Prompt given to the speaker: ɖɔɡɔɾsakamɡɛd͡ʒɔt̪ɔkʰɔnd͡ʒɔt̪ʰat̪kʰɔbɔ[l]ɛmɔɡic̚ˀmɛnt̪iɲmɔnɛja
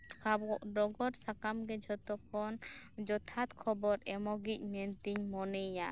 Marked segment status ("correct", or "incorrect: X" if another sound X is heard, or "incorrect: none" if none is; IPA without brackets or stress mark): incorrect: ɾ